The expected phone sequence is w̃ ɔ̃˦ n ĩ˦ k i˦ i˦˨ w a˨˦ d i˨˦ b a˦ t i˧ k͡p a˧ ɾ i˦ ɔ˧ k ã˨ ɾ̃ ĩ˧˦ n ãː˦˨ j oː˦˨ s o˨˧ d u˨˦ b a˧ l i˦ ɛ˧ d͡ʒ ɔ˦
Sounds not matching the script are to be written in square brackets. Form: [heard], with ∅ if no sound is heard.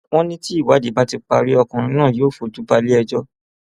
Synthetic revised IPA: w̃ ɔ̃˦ n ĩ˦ [t] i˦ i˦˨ w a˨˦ d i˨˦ b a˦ t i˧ k͡p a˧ ɾ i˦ ɔ˧ k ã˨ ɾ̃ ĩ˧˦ n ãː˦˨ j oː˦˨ [f] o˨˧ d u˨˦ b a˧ l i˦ ɛ˧ d͡ʒ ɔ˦